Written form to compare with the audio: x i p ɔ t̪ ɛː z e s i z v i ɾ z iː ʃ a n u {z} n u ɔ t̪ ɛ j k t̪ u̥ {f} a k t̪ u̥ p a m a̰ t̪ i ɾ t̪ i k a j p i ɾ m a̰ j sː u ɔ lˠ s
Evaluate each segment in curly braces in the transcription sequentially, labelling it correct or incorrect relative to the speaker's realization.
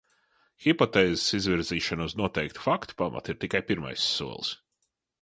correct, correct

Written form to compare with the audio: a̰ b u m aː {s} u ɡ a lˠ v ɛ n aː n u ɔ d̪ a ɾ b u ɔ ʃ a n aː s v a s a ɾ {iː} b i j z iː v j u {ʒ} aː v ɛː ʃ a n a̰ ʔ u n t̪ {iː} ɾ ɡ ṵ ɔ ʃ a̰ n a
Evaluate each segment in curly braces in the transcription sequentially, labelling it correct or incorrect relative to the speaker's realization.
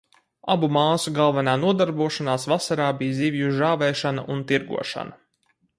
correct, incorrect: aː, correct, incorrect: i

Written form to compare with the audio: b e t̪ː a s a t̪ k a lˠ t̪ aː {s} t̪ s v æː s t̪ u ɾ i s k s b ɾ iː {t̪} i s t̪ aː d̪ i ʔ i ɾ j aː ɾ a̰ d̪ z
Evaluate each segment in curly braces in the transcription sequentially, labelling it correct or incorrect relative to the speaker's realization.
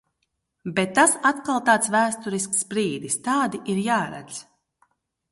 incorrect: none, incorrect: d̪

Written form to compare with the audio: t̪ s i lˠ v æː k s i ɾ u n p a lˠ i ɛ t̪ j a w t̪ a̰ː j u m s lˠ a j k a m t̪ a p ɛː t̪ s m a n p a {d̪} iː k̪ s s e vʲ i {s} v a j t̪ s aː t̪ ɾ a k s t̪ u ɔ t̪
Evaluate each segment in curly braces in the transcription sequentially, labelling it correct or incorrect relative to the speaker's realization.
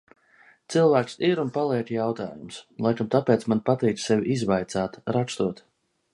incorrect: t̪, incorrect: z

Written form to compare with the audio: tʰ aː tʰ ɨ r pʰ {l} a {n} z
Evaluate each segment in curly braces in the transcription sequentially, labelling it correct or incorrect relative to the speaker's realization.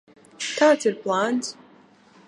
correct, correct

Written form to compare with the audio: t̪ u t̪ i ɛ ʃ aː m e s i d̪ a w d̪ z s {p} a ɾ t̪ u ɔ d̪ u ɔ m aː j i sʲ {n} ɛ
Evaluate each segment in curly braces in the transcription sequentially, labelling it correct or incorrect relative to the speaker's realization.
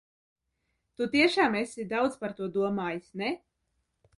correct, correct

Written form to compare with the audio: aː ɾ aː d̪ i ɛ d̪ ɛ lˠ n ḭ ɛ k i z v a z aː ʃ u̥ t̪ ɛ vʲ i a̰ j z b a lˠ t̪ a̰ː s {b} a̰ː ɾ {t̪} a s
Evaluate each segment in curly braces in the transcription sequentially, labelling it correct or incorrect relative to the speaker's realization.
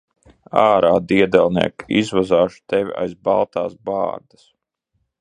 correct, incorrect: d̪

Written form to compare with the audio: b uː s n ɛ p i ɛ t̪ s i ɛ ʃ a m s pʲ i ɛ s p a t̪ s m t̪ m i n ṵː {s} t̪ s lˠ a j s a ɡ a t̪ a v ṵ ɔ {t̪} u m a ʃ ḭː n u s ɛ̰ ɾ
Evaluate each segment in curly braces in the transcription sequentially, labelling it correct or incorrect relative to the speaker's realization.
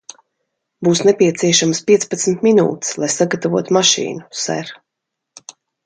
incorrect: none, correct

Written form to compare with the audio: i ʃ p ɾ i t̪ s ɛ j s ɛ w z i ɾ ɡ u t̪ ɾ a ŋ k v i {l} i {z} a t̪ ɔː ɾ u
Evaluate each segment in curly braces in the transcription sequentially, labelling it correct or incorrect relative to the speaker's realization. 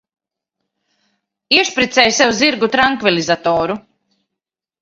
correct, correct

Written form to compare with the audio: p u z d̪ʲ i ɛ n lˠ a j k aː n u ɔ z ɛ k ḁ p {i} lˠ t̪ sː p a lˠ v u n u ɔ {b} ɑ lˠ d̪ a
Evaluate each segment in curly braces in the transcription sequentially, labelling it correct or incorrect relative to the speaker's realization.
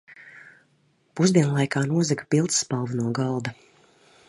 correct, incorrect: ɡ

